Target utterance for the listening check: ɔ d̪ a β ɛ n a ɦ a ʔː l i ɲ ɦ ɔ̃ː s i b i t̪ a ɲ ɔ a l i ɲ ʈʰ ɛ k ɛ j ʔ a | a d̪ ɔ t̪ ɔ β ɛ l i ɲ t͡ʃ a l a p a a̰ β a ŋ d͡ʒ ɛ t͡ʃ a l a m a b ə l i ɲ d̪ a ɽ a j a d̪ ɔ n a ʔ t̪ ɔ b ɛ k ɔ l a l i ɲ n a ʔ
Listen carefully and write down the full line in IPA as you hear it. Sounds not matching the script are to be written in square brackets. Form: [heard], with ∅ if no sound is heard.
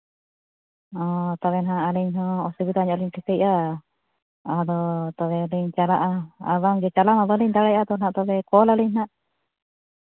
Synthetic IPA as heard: ɔ [t̪] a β ɛ n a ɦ a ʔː l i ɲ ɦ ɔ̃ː s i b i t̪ a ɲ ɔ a l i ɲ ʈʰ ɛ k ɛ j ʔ a | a d̪ ɔ t̪ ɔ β ɛ l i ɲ t͡ʃ a l a [ʔ] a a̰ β a ŋ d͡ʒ ɛ t͡ʃ a l a m a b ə l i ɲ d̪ a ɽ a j a d̪ ɔ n a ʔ t̪ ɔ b ɛ k ɔ l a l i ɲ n a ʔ